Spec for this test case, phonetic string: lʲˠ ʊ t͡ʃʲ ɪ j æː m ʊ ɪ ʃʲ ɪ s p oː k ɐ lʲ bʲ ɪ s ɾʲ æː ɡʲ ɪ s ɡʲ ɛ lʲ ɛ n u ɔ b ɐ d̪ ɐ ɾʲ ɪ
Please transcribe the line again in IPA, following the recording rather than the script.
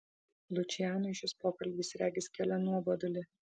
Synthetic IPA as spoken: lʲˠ ʊ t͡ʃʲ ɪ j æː n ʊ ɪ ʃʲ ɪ s p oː k ɐ lʲ bʲ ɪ s ɾʲ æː ɡʲ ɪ s kʲ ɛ lʲ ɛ n u ɔ b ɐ d̪ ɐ lʲ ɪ